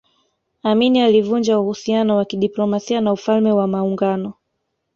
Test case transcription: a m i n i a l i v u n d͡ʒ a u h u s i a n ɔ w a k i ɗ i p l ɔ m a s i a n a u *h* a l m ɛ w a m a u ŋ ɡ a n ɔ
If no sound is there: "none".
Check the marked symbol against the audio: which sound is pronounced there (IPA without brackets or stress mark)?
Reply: f